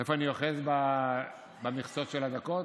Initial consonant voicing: voiceless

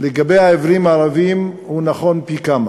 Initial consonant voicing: voiced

